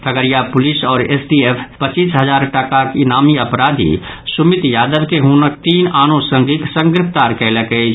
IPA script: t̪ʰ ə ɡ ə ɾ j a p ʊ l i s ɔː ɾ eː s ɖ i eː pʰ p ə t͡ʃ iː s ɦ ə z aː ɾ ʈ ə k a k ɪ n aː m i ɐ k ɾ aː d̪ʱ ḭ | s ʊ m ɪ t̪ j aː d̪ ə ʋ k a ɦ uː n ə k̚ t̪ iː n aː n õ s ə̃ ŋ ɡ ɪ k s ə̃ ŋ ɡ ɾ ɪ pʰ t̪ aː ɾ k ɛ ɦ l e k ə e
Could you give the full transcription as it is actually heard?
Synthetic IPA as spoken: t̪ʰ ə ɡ ə ɾ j a p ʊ l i s ɔː ɾ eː s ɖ i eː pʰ p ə t͡ʃ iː s ɦ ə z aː ɾ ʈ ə k a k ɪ n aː m i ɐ p ɾ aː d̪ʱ ḭ | s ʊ m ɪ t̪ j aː d̪ ə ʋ k e ɦ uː n ə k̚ t̪ iː n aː n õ s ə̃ ŋ ɡ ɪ k s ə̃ ŋ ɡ ɾ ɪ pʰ t̪ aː ɾ k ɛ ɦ l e k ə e